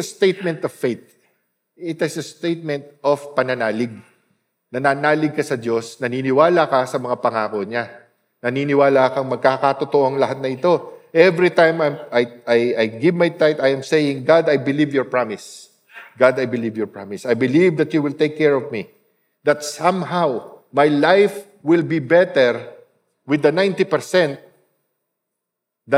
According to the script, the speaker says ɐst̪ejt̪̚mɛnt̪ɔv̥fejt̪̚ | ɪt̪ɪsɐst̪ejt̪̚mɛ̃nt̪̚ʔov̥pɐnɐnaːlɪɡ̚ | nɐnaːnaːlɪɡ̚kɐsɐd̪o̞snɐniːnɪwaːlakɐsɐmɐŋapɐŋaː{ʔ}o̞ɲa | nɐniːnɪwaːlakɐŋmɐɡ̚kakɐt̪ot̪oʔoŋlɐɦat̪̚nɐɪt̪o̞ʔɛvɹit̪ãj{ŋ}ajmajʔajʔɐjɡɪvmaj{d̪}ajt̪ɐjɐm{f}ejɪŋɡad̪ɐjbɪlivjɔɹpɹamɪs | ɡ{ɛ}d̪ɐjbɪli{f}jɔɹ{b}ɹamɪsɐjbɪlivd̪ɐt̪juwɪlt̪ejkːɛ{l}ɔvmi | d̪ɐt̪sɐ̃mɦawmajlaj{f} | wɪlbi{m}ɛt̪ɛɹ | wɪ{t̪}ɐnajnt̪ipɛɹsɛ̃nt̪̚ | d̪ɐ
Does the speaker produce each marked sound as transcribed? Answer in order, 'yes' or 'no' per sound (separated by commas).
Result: no, no, no, no, no, no, no, no, yes, no, no